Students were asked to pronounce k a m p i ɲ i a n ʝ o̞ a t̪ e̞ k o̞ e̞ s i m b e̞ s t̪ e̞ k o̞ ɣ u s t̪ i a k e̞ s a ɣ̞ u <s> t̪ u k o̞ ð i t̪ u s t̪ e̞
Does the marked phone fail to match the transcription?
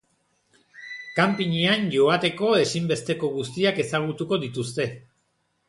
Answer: yes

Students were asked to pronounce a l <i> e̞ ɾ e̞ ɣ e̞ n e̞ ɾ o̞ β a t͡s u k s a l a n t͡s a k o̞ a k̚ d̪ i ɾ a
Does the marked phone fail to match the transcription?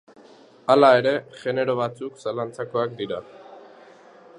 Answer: yes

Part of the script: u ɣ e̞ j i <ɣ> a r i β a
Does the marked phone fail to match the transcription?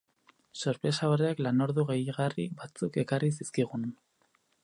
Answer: no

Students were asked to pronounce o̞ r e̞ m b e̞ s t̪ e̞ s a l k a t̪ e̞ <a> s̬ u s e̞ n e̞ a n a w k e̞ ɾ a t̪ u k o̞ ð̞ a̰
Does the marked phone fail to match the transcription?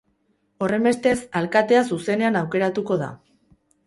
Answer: no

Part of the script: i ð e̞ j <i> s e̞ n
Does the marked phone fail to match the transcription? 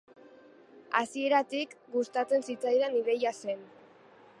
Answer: yes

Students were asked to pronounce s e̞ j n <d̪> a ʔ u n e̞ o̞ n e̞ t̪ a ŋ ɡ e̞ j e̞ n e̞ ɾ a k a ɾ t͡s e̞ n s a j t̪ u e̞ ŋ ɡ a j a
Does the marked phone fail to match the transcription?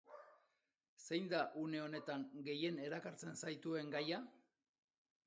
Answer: no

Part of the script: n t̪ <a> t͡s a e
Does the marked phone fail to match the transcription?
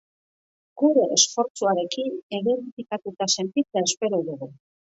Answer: yes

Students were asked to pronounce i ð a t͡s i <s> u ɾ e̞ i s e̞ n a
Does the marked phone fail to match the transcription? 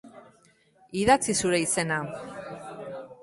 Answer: no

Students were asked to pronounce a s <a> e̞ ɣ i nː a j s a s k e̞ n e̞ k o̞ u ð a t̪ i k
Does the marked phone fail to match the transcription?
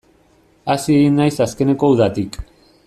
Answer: yes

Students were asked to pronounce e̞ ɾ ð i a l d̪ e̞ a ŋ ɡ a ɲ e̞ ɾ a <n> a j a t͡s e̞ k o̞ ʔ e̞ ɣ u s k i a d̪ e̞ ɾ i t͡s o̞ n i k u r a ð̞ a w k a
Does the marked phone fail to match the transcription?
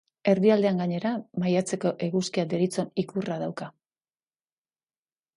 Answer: yes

